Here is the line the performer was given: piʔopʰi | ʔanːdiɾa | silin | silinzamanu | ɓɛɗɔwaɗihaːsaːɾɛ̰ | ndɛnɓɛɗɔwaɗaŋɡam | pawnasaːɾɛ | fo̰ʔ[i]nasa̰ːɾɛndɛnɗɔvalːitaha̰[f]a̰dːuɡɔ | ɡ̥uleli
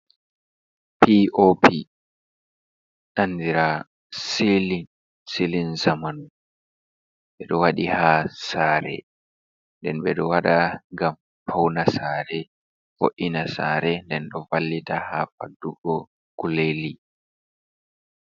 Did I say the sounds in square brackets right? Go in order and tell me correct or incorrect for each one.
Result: correct, correct

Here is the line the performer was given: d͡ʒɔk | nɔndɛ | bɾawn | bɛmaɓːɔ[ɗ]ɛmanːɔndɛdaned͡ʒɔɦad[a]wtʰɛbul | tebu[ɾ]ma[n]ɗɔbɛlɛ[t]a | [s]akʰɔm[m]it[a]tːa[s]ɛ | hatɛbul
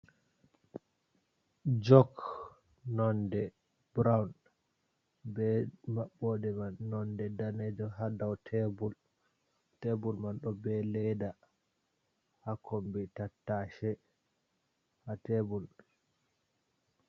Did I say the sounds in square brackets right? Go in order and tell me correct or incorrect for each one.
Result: incorrect, correct, incorrect, correct, incorrect, incorrect, incorrect, correct, incorrect

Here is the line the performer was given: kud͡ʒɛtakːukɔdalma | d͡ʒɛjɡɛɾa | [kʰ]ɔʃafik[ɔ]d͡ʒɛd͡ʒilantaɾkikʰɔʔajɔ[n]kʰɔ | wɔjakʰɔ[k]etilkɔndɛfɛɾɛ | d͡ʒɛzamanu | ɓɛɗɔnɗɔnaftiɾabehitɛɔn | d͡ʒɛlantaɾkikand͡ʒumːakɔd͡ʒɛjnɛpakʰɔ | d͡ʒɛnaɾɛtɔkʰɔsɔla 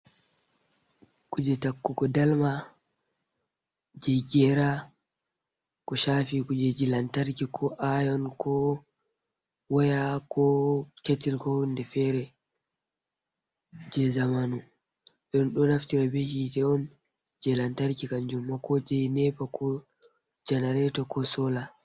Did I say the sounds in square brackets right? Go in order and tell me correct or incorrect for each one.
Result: incorrect, incorrect, correct, correct

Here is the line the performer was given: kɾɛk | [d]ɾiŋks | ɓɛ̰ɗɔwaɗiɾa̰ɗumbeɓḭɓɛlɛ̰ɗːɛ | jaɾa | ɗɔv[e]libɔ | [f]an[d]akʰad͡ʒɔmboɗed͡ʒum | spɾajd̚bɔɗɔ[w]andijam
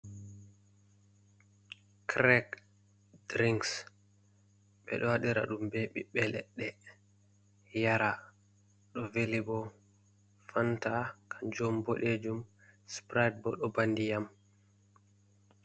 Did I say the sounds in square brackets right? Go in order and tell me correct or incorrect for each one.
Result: correct, correct, correct, incorrect, incorrect

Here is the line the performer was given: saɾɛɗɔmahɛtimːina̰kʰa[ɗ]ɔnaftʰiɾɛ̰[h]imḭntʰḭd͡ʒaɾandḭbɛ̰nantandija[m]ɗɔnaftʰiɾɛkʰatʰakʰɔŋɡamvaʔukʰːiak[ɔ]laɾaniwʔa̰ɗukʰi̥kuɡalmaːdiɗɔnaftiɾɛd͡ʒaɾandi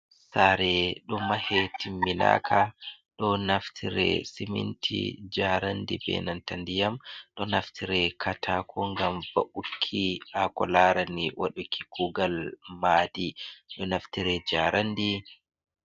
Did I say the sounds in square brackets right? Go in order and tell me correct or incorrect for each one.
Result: correct, incorrect, correct, correct

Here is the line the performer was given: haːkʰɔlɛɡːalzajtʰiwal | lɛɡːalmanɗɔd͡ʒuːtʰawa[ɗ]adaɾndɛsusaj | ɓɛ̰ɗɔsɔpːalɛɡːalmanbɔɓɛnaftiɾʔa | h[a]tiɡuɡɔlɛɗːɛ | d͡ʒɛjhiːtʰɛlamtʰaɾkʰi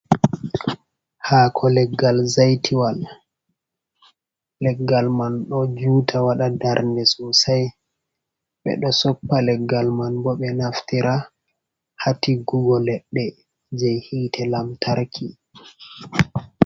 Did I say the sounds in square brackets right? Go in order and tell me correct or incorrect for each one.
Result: correct, correct

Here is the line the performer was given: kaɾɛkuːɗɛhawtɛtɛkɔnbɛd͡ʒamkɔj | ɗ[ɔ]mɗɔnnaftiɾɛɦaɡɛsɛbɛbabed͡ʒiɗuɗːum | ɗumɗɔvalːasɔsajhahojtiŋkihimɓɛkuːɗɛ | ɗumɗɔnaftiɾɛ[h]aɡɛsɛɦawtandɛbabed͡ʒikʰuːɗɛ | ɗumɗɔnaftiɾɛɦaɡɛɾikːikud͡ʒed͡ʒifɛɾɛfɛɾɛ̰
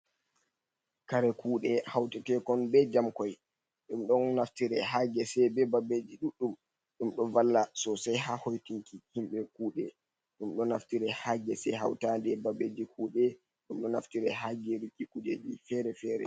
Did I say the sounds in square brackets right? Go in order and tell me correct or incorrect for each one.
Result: incorrect, correct

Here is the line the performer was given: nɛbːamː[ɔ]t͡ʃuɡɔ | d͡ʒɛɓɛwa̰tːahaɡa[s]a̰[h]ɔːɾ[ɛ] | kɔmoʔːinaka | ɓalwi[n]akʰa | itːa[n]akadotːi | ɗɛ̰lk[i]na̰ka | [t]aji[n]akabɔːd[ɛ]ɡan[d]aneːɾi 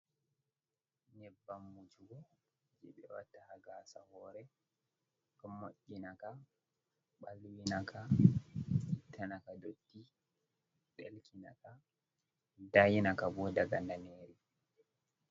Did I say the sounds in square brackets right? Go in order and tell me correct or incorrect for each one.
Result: incorrect, correct, correct, correct, correct, correct, correct, incorrect, correct, incorrect, correct

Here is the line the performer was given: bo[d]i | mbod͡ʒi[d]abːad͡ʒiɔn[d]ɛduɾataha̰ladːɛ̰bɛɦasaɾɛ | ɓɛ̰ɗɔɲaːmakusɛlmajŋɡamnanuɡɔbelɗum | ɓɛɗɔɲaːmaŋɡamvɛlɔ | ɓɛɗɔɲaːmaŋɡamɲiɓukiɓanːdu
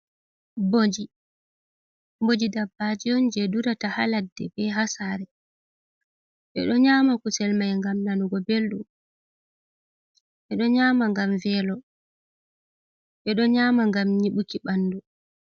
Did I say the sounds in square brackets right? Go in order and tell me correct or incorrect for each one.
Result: incorrect, correct, incorrect

